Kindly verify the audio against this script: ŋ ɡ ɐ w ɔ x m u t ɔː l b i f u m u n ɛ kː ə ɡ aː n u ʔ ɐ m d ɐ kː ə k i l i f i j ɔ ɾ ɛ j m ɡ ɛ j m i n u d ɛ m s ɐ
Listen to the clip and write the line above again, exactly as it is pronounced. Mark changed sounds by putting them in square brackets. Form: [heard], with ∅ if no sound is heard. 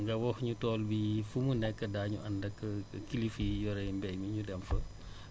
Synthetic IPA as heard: ŋ ɡ ɐ w ɔ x [ɲ] u t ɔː l b i f u m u n ɛ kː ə [d] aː [ɲ] u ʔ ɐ [n] d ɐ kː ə k i l i f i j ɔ ɾ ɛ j m [b] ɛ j m i [ɲ] u d ɛ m [f] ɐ